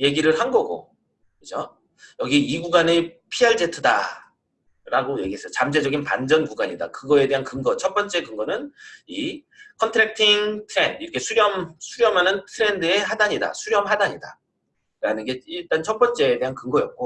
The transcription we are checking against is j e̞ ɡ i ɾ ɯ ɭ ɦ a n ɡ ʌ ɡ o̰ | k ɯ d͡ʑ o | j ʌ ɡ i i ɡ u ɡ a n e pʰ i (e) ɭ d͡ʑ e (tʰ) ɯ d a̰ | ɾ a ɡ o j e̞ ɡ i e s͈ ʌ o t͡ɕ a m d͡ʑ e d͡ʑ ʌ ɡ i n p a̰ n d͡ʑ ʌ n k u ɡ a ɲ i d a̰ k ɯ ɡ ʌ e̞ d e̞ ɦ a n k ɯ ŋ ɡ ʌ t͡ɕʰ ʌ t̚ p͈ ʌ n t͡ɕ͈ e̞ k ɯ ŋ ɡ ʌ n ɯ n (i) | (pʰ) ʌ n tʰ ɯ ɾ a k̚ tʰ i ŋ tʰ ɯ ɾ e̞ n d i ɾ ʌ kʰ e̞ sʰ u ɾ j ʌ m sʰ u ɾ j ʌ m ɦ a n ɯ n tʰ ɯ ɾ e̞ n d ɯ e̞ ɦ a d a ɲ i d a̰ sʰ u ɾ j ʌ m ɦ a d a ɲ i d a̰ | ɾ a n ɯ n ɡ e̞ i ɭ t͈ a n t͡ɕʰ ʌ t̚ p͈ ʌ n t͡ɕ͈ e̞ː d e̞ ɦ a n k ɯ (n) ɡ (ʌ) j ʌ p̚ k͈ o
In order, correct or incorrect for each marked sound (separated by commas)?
incorrect, correct, correct, incorrect, incorrect, correct